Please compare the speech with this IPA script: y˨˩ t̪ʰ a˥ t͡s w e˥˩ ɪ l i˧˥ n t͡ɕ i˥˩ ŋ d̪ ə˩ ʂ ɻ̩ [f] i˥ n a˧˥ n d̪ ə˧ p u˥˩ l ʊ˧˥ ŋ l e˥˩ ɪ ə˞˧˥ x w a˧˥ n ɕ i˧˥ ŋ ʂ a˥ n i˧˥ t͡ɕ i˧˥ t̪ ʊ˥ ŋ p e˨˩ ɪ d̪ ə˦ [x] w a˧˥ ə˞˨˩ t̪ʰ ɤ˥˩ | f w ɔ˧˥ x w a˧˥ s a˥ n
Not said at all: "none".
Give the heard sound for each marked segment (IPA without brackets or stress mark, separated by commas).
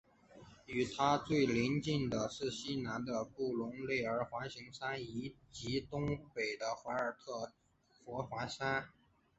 ɕ, x